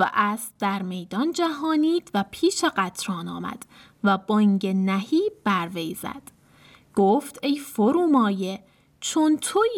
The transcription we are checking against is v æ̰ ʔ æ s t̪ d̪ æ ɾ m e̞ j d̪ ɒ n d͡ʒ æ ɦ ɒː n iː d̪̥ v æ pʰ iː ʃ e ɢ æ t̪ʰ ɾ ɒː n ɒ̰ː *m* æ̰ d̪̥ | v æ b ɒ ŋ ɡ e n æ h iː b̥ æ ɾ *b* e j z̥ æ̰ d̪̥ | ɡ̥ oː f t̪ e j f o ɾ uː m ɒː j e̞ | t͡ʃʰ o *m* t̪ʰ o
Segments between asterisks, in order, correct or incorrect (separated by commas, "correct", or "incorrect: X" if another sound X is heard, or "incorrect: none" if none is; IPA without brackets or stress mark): correct, incorrect: v, incorrect: n